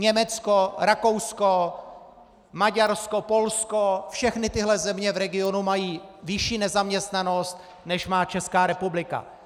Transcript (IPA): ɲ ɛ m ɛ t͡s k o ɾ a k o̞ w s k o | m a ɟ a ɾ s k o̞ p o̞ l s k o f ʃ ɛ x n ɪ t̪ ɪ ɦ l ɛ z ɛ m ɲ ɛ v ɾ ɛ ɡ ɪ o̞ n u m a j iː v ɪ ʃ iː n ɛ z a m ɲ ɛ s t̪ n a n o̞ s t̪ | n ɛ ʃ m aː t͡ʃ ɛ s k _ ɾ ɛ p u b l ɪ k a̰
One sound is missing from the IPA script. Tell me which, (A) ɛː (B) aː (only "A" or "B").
B